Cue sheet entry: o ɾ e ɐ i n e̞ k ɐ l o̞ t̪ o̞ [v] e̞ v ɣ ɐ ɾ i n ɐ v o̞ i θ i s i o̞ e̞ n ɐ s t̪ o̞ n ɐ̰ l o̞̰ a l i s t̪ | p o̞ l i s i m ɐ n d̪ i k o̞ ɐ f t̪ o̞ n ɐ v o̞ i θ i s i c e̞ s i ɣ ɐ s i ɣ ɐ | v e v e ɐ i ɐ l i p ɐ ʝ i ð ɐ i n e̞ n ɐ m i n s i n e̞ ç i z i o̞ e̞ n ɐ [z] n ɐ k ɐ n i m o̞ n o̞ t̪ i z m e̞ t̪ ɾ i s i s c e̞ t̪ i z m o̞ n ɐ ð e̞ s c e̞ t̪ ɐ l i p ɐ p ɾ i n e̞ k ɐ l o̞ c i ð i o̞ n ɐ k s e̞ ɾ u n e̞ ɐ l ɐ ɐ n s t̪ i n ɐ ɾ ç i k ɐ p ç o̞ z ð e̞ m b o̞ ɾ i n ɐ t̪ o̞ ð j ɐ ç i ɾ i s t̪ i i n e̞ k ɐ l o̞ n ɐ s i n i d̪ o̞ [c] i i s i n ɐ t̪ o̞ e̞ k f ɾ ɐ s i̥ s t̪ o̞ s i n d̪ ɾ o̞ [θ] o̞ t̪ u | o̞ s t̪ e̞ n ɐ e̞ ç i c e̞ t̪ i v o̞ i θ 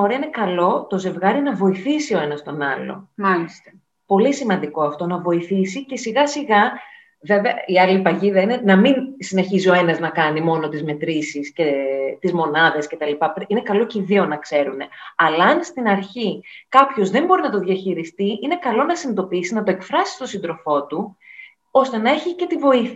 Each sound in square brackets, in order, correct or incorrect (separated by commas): incorrect, correct, incorrect, incorrect